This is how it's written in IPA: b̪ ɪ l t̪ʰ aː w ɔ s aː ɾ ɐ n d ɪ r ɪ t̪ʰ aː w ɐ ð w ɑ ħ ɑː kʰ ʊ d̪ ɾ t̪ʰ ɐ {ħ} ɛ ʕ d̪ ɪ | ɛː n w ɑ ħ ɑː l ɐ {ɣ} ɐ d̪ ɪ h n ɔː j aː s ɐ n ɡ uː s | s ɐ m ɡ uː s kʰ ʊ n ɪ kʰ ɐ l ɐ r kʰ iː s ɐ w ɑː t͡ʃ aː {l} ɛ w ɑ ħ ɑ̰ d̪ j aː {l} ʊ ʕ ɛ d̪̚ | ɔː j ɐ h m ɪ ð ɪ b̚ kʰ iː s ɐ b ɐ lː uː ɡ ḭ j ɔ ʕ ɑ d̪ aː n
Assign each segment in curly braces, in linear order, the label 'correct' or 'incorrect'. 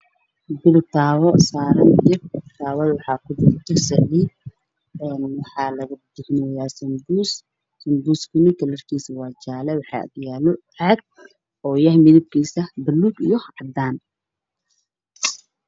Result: incorrect: s, correct, correct, correct

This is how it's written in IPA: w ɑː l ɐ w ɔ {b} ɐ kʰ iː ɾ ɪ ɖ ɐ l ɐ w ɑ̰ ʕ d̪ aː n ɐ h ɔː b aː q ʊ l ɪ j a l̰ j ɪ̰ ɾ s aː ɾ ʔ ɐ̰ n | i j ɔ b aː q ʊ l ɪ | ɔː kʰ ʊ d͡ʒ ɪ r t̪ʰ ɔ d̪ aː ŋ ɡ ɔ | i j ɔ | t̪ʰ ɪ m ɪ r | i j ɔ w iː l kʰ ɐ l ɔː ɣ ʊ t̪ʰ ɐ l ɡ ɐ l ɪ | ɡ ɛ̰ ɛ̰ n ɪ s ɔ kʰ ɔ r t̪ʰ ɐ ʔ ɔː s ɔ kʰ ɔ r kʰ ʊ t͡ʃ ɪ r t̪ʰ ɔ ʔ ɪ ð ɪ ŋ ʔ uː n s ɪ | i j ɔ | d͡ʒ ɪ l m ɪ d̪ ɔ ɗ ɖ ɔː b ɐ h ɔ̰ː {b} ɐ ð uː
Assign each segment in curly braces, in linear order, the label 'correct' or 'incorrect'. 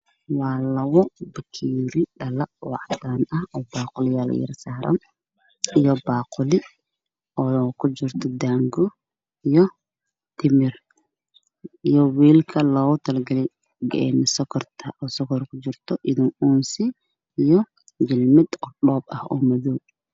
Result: correct, incorrect: m

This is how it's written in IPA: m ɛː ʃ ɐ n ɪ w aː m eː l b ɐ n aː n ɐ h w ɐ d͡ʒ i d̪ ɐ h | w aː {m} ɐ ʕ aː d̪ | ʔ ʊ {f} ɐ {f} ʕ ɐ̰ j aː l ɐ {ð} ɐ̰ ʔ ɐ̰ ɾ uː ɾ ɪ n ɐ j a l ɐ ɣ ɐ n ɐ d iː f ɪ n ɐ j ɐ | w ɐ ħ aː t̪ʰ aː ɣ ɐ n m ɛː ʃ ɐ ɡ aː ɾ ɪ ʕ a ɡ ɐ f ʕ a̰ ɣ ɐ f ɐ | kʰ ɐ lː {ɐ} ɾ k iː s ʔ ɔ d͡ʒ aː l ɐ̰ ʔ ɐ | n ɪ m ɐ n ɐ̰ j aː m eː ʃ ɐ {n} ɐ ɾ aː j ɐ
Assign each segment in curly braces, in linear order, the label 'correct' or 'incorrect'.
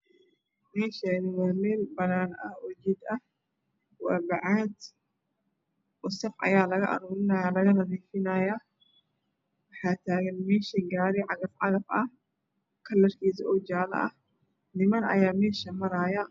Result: incorrect: b, incorrect: s, correct, incorrect: ɣ, correct, incorrect: m

